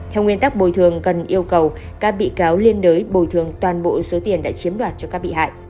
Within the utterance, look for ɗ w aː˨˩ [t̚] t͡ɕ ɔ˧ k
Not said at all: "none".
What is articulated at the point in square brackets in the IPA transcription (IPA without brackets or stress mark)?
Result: t̚